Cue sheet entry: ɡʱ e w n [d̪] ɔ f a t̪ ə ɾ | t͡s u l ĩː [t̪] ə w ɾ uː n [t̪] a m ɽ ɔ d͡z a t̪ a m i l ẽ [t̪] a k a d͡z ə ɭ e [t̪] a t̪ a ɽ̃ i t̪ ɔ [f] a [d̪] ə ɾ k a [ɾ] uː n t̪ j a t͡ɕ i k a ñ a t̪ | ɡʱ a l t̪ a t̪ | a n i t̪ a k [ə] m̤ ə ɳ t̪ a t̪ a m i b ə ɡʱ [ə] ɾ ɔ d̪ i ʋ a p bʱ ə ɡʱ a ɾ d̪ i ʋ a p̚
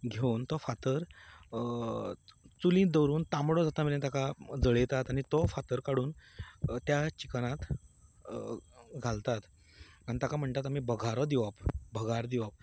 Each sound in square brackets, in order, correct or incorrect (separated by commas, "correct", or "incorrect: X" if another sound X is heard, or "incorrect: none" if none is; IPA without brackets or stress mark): incorrect: t̪, incorrect: d̪, correct, correct, correct, correct, incorrect: t̪, incorrect: ɽ, incorrect: a, incorrect: a